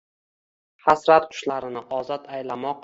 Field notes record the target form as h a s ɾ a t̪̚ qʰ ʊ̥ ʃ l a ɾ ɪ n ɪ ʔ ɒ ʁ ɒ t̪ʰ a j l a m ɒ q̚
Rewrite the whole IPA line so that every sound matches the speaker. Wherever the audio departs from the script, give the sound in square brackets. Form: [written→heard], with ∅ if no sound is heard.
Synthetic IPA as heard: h a s ɾ a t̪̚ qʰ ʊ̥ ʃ l a ɾ ɪ n ɪ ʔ ɒ [ʁ→z] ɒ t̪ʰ a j l a m ɒ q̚